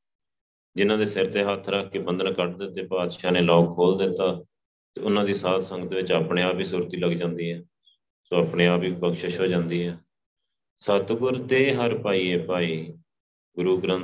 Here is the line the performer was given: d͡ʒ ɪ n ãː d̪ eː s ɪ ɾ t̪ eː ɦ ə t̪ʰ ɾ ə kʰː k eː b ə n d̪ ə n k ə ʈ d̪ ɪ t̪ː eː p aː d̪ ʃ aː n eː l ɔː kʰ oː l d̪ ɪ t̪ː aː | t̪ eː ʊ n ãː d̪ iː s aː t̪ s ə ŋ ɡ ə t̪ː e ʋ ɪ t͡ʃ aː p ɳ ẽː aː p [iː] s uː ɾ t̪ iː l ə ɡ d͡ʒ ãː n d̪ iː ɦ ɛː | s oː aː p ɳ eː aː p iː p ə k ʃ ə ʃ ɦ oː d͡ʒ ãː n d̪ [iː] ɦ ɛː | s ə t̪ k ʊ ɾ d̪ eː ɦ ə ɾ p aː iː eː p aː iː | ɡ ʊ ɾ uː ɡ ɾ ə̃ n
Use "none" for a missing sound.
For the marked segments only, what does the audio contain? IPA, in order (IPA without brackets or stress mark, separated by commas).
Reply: iː, iː